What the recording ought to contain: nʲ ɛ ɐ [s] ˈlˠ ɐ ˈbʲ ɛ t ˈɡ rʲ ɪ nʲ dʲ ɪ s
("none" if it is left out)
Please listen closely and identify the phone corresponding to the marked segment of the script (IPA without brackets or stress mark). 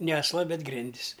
s